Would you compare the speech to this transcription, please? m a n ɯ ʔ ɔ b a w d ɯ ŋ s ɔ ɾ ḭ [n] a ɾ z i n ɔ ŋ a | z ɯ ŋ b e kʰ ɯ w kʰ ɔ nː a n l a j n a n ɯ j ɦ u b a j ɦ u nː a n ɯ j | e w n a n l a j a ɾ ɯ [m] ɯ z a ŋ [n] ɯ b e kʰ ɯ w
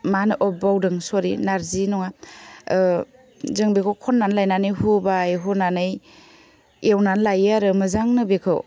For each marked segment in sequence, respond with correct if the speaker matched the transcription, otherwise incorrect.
correct, correct, correct

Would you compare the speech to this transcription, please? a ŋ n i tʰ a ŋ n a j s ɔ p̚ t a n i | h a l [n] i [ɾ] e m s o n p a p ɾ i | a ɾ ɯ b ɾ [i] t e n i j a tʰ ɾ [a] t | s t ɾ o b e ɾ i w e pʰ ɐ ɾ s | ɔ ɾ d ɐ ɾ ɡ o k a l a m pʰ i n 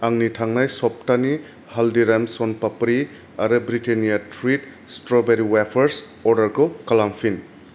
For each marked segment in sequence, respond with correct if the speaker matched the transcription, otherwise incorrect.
incorrect, correct, correct, incorrect

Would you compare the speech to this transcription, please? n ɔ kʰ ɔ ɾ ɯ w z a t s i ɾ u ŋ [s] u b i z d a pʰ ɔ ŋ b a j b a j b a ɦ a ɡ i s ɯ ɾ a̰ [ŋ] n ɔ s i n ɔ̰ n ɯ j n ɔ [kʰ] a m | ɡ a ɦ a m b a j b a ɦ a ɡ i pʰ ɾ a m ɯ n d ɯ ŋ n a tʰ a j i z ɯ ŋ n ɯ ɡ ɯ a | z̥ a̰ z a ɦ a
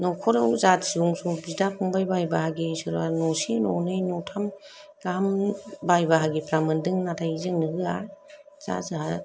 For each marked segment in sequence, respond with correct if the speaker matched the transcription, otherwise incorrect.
correct, incorrect, incorrect

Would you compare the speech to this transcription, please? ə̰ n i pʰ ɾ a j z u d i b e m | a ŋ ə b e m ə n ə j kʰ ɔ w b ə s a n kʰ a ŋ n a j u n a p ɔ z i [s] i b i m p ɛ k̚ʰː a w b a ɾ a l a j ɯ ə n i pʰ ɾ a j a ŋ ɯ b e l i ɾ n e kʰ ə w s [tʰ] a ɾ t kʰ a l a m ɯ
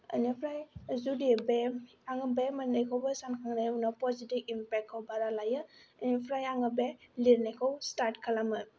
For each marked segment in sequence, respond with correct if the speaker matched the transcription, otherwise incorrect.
incorrect, incorrect

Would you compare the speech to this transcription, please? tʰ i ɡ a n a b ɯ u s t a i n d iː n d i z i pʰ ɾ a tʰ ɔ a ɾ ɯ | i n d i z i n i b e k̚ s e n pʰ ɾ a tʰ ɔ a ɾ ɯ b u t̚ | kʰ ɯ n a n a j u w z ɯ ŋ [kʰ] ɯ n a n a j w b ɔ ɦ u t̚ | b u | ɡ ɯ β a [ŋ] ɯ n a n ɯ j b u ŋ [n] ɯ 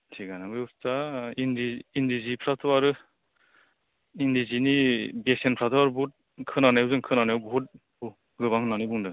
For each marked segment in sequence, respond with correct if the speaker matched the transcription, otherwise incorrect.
correct, correct, incorrect

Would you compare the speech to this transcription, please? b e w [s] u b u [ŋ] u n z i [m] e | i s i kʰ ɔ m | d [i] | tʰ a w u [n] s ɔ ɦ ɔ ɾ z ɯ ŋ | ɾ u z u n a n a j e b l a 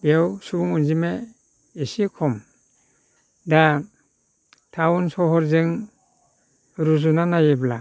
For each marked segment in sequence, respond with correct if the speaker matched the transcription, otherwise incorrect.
correct, correct, correct, incorrect, correct

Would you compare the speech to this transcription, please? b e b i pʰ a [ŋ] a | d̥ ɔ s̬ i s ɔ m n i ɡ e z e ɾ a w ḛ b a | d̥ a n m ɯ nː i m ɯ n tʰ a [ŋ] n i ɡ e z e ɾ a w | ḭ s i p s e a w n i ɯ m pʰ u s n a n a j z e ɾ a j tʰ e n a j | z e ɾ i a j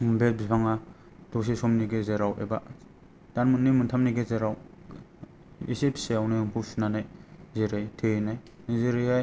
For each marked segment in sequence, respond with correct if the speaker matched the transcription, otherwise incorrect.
correct, incorrect

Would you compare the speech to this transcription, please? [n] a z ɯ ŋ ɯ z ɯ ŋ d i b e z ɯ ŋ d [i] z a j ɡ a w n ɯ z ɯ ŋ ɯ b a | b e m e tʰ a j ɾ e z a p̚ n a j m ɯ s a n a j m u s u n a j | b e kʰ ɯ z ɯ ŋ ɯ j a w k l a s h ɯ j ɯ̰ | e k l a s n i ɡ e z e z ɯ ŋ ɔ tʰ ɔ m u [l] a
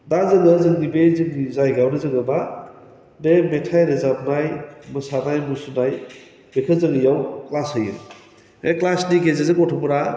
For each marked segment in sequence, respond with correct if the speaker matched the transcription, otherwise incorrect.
incorrect, correct, incorrect

